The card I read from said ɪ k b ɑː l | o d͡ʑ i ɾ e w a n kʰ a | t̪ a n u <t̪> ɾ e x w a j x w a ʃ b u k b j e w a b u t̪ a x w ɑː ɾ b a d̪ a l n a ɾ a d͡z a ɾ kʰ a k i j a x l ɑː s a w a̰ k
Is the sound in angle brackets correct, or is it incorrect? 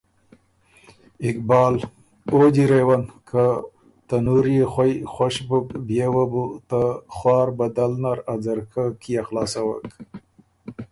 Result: incorrect